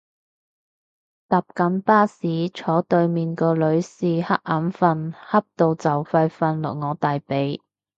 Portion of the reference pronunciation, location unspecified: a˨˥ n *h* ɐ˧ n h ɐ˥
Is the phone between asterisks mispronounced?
yes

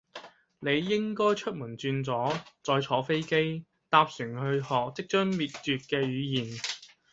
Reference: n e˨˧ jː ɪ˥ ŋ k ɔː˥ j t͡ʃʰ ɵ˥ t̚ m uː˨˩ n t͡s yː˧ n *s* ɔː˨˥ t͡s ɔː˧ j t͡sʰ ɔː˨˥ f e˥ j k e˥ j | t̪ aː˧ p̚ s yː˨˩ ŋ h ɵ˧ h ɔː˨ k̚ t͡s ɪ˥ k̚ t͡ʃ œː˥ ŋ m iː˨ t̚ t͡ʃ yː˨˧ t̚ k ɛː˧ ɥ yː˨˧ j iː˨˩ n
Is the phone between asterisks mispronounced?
yes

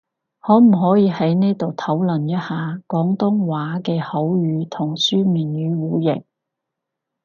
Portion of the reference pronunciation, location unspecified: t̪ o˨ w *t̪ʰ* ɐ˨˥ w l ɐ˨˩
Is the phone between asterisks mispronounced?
no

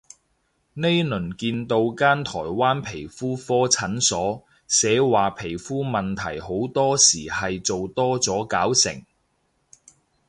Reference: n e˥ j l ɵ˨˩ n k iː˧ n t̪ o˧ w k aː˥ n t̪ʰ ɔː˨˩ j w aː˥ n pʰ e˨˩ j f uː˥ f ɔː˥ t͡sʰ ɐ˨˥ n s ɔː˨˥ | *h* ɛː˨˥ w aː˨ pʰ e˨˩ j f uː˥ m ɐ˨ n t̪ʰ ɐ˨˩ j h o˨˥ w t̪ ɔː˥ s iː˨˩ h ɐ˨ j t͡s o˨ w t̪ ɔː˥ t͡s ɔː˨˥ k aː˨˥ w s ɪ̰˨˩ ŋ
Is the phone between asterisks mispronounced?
yes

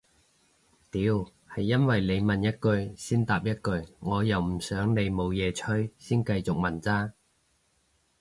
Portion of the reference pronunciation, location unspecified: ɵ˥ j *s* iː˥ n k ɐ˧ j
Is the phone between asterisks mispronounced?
no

